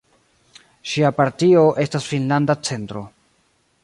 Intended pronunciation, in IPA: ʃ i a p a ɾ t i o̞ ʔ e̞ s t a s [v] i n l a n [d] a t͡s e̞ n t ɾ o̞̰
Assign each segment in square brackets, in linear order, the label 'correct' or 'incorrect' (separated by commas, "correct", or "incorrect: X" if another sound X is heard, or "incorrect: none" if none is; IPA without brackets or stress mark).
incorrect: f, correct